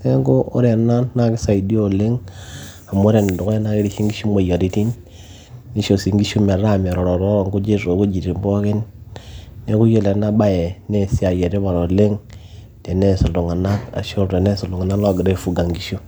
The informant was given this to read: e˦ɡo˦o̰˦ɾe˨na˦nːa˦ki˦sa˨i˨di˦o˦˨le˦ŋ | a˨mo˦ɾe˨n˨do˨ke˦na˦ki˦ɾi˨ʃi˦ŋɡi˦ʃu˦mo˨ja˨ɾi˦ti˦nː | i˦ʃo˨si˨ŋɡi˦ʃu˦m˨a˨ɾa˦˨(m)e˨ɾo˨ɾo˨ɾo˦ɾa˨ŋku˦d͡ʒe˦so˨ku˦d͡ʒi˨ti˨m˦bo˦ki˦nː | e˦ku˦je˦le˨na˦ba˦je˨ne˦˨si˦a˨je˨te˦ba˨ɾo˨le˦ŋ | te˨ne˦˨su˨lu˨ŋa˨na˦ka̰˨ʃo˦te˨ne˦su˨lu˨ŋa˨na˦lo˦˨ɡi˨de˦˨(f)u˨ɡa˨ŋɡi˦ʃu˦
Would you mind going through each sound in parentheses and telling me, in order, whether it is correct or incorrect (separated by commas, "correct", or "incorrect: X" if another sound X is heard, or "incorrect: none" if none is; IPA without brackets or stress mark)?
correct, correct